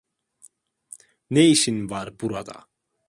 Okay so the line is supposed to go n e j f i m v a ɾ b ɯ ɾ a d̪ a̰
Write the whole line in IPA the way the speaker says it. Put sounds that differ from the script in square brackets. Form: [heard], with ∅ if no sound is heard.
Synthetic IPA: n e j [ʃ] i [n] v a ɾ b [u] ɾ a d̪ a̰